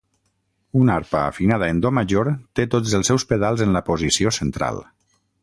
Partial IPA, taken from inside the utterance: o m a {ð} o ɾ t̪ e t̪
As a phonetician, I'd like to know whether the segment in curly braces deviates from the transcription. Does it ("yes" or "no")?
yes